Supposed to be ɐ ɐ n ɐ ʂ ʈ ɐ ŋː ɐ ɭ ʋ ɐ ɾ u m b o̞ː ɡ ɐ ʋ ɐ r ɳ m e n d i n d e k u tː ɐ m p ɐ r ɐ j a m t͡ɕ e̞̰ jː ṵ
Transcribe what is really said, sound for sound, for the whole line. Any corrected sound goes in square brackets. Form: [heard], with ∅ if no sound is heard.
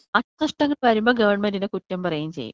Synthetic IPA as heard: ɐ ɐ n ɐ ʂ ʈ ɐ ŋː ɐ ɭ ʋ ɐ ɾ u m b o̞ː ɡ ɐ ʋ ɐ r ɳ m e n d i n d e k u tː ɐ m p ɐ r ɐ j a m t͡ɕ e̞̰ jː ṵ